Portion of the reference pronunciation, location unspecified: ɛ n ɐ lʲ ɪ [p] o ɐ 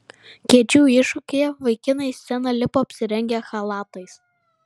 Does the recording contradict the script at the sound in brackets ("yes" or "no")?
no